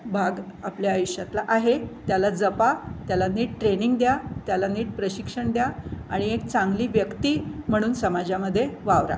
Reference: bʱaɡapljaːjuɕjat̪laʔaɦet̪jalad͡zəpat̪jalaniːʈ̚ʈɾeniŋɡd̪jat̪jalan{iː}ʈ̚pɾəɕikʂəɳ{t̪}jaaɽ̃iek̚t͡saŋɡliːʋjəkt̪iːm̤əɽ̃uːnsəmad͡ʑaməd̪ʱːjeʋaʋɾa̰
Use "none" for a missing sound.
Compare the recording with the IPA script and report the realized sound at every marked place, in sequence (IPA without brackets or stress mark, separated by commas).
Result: iː, d̪